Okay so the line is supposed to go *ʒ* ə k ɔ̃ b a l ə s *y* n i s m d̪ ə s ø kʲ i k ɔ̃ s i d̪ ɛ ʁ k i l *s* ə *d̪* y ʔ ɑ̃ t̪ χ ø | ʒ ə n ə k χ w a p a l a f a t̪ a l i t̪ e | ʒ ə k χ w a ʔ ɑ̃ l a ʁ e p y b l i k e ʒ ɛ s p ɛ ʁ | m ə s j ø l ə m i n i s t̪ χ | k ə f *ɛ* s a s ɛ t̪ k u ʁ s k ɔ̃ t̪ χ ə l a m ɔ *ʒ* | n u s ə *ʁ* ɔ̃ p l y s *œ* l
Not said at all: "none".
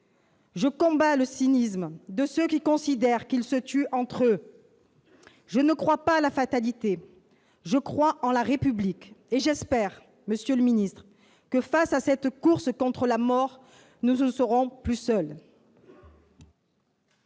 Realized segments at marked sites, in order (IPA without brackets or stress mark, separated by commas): ʒ, i, s, t̪, a, ʁ, ʁ, œ